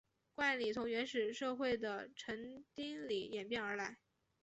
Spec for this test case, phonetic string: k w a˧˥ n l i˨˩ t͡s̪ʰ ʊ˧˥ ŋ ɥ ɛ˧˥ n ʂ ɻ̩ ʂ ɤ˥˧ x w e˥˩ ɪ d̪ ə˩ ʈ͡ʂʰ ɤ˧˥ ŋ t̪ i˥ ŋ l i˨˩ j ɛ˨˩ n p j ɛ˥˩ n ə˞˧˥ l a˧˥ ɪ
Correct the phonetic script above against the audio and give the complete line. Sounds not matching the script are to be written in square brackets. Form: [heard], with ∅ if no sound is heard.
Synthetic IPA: k w [a˥˩] n l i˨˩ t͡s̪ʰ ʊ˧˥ ŋ ɥ ɛ˧˥ n ʂ ɻ̩ ʂ ɤ˥˧ x w e˥˩ ɪ d̪ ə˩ ʈ͡ʂʰ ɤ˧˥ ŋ t̪ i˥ ŋ l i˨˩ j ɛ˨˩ n p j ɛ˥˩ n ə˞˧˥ l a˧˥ ɪ